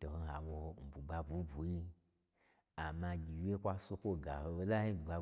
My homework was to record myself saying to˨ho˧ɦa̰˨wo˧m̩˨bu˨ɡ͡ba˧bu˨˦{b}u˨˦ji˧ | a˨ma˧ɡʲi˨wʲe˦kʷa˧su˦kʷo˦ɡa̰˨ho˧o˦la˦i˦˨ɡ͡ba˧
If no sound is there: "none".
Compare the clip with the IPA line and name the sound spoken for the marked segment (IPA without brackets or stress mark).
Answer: b